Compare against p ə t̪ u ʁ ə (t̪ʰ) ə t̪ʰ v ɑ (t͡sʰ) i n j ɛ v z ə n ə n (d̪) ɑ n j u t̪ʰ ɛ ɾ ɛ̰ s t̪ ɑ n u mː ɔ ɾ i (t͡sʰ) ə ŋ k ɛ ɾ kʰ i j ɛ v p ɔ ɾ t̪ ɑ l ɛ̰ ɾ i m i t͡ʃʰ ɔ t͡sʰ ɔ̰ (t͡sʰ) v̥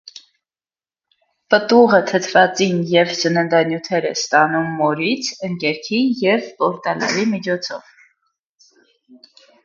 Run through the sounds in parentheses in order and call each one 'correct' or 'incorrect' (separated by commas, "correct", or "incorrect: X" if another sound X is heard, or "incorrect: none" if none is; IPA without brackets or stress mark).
correct, incorrect: t͡s, correct, correct, incorrect: none